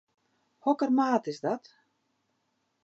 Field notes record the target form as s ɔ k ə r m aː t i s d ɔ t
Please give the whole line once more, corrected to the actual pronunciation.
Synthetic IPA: h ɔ k ə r m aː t ɪ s d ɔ t